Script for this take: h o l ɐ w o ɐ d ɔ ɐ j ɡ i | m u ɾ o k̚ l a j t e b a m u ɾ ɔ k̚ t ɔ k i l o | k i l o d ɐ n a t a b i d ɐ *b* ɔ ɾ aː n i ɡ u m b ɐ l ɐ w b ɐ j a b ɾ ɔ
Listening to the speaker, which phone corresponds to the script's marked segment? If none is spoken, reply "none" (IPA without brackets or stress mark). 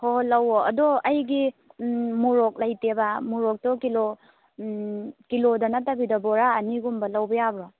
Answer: b